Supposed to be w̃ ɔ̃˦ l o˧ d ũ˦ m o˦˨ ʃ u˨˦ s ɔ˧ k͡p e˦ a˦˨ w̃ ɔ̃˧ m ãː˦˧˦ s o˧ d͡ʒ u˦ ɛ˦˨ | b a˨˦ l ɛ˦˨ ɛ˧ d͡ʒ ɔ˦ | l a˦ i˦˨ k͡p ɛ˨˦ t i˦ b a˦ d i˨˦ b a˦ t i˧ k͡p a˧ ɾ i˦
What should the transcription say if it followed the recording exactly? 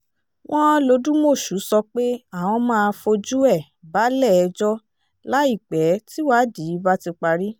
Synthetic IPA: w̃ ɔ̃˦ l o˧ d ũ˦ m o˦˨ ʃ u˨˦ s ɔ˧ k͡p e˦ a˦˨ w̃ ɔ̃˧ m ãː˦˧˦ f o˧ d͡ʒ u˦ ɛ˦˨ | b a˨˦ l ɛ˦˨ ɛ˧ d͡ʒ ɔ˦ | l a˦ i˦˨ k͡p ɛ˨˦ t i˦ w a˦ d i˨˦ b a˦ t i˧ k͡p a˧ ɾ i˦